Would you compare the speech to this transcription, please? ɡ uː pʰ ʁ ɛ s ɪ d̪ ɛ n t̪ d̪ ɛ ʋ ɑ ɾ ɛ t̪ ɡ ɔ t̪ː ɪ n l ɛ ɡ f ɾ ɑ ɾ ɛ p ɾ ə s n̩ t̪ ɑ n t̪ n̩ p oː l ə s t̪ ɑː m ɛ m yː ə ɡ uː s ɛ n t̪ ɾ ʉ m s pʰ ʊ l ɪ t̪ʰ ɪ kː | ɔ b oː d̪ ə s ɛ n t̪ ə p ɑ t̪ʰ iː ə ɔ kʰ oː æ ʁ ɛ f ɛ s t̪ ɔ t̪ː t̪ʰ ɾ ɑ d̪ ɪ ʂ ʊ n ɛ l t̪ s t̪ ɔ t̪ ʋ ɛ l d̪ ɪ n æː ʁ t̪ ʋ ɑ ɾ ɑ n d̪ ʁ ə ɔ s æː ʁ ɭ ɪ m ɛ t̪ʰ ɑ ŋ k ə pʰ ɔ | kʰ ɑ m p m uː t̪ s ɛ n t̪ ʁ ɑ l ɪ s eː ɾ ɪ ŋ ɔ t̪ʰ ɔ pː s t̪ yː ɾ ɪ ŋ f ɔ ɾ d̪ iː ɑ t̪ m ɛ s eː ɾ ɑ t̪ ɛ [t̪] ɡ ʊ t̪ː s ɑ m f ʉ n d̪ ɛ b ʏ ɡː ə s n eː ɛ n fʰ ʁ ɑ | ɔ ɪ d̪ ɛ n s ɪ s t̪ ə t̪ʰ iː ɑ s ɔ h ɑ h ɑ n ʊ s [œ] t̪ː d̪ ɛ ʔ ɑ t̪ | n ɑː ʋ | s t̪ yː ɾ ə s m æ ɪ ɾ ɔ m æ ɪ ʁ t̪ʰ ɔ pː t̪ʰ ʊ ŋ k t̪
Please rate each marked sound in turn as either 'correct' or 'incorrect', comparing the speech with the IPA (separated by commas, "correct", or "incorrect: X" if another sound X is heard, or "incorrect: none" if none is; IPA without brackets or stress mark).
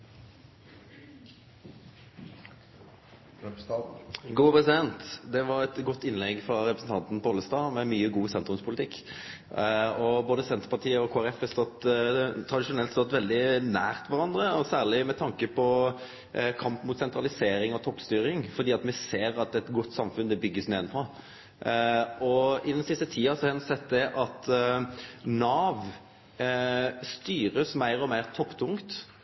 correct, incorrect: ɛ